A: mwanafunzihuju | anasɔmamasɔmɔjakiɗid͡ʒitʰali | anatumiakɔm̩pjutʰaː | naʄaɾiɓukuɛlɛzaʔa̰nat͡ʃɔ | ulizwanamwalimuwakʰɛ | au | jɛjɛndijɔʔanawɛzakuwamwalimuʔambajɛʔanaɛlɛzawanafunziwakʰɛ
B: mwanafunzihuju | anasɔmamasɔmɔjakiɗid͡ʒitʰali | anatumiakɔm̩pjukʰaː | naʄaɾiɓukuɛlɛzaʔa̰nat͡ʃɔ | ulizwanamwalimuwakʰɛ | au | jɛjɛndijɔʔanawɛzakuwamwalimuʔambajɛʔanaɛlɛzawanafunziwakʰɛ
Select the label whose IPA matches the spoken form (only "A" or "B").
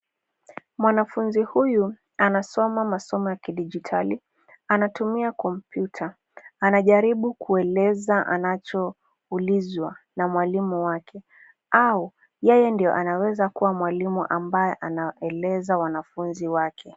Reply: A